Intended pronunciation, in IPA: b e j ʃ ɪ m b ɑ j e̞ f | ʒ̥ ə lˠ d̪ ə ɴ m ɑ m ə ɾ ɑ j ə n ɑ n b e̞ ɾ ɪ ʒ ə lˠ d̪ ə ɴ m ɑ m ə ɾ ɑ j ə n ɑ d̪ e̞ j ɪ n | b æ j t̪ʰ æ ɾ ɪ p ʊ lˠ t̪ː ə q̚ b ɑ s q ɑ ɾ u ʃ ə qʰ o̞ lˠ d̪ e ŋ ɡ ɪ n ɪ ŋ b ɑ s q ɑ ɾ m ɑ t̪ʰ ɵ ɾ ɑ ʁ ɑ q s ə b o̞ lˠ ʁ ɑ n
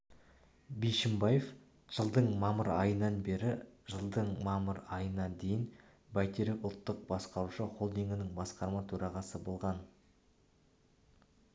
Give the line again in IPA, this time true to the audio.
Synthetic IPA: b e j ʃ ɪ m b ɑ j e̞ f | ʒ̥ ə lˠ d̪ ə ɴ m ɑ m ə ɾ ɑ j ə n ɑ n b e̞ ɾ ɪ ʒ ə lˠ d̪ ə ɴ m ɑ m ə ɾ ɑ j ə n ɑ d̪ e̞ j ɪ n | b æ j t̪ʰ e ɾ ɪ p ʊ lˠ t̪ː ə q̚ b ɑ s q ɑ ɾ u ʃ ə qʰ o̞ lˠ d̪ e ŋ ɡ ɪ n ɪ ŋ b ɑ s q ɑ ɾ m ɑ t̪ʰ ɵ ɾ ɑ ʁ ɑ s ə b o̞ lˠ ʁ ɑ n

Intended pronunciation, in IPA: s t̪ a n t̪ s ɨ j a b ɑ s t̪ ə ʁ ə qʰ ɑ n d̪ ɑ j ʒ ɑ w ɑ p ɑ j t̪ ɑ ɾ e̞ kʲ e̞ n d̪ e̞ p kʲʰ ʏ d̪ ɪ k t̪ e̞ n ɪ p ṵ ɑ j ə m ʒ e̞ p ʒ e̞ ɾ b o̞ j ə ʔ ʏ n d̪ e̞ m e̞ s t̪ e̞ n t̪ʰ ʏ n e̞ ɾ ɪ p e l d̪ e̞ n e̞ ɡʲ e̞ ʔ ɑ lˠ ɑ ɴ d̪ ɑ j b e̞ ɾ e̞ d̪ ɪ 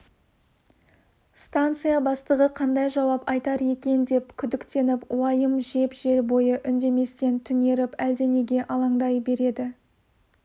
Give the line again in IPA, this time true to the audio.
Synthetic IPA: s t̪ a n t̪ s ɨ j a b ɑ s t̪ ə ʁ ə qʰ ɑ n d̪ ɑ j ʒ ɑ w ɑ p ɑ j t̪ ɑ ɾ e̞ kʲ e̞ n d̪ e̞ p kʲʰ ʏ d̪ ɪ k t̪ e̞ n ɪ p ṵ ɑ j ə m ʒ e̞ p ʒ e̞ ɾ b o̞ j ə ʔ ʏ n d̪ e̞ m e̞ s t̪ e̞ n t̪ʰ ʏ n e̞ ɾ ɪ p æ l d̪ e̞ n e̞ ɡʲ e̞ ʔ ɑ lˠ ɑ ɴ d̪ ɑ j b e̞ ɾ e̞ d̪ ɪ

